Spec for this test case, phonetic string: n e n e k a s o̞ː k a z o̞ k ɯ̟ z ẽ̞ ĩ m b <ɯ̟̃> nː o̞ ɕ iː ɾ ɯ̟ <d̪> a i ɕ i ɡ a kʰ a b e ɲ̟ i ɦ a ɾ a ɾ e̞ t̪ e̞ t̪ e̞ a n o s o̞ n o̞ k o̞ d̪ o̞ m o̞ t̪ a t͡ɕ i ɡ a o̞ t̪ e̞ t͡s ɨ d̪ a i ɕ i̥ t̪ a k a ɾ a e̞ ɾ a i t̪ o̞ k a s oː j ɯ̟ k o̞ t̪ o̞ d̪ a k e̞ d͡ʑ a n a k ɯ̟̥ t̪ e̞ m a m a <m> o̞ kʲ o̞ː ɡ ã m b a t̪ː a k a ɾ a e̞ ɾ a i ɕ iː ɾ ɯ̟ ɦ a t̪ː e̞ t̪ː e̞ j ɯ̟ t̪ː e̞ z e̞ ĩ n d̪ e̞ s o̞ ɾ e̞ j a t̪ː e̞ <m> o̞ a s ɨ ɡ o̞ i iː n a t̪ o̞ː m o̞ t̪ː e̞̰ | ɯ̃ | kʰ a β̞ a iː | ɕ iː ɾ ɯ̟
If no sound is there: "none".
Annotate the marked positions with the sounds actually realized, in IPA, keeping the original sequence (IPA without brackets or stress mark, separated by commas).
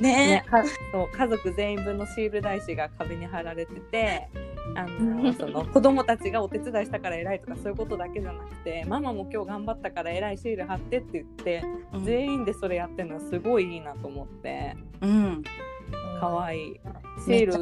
ɯ̟, d̪, m, n